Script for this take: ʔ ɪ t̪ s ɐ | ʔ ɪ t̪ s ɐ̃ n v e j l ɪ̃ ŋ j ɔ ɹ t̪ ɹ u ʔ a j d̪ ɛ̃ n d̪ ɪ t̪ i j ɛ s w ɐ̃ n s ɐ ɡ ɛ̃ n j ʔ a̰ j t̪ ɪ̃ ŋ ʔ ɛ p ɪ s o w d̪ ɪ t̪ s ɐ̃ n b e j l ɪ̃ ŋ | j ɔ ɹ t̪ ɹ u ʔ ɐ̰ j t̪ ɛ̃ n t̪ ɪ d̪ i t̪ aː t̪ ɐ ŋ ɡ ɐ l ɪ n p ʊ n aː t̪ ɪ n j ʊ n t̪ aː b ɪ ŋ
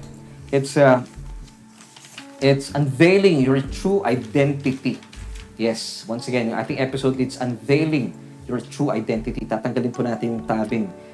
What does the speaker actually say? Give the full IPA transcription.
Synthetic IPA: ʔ ɪ t̪ s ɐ | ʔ ɪ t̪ s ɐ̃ n v e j l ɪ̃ ŋ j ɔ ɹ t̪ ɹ u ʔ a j d̪ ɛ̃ n t̪ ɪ t̪ i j ɛ s w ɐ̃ n s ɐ ɡ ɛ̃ n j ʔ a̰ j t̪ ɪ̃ ŋ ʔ ɛ p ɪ s o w d̪ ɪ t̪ s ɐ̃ n v e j l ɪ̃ ŋ | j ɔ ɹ t̪ ɹ u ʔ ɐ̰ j d̪ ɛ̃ n t̪ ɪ t̪ i t̪ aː t̪ ɐ ŋ ɡ ɐ l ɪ n p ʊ n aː t̪ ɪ n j ʊ ŋ t̪ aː b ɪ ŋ